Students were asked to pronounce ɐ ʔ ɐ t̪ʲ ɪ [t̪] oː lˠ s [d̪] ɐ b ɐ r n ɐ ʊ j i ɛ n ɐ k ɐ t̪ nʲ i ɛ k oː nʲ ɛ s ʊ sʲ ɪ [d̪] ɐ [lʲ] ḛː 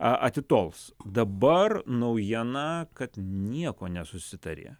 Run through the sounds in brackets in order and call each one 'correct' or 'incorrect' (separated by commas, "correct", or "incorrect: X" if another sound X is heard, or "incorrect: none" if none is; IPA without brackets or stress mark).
correct, correct, incorrect: t̪, incorrect: ɾʲ